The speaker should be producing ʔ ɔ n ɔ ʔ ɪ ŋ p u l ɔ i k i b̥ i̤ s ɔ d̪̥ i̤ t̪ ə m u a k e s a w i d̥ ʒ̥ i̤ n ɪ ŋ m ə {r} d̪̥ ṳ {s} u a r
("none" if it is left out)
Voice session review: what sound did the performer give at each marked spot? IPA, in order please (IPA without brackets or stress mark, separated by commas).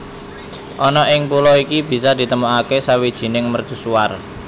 r, s